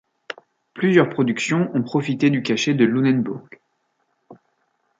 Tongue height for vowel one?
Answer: high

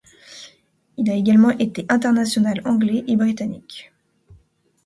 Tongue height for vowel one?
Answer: high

